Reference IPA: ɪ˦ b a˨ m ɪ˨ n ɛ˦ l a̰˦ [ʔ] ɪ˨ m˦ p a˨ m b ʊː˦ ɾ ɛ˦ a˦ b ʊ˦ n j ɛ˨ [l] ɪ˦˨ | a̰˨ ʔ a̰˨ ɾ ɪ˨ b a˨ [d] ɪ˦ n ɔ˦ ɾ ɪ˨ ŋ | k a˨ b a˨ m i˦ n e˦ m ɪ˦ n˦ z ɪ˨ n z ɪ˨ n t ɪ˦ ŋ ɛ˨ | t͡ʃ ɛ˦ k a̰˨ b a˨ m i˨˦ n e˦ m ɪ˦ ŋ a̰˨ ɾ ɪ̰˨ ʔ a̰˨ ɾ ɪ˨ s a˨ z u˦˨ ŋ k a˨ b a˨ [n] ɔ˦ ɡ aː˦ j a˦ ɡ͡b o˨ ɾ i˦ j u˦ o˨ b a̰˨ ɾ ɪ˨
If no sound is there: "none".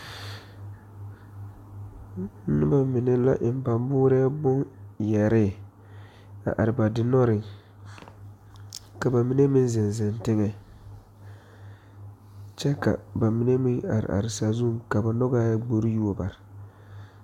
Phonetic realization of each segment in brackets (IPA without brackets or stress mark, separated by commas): ʔ, ɾ, d, n